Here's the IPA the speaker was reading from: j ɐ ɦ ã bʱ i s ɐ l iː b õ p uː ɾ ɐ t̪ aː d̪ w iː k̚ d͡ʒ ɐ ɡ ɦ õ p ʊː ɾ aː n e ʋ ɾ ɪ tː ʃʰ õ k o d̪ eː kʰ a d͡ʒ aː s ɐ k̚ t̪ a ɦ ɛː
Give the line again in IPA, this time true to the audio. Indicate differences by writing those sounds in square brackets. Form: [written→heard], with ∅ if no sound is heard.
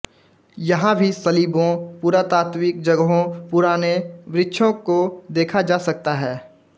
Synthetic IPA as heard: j ɐ ɦ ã bʱ i s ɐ l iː b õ p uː ɾ [ɐ→a] t̪ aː [d̪→t̪] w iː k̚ d͡ʒ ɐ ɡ ɦ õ p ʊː ɾ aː n e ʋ ɾ ɪ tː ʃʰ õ k o d̪ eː kʰ a d͡ʒ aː s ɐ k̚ t̪ a ɦ ɛː